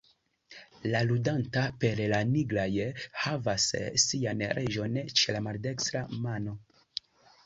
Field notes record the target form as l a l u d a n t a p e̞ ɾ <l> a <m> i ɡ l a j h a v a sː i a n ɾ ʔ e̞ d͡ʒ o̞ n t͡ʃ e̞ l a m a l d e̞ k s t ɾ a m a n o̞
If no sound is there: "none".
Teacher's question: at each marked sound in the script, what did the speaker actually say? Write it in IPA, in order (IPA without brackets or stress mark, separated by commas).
l, n